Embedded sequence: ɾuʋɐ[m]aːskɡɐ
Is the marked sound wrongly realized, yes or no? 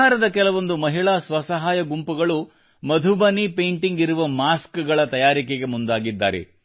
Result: no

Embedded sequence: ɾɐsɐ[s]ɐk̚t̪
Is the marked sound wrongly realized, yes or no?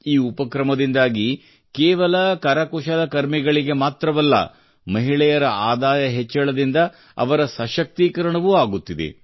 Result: yes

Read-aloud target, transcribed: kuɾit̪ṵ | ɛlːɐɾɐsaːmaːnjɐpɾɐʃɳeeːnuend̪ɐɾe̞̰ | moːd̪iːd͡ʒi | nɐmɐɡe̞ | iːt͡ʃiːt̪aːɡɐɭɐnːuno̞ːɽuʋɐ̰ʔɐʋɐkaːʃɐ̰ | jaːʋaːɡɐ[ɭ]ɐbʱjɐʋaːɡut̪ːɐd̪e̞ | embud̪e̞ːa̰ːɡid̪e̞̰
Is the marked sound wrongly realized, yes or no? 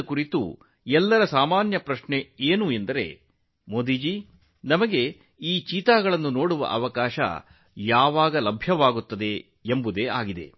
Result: yes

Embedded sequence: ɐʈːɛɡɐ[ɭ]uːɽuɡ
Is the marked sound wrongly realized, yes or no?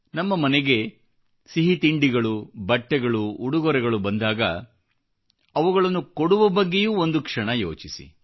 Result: no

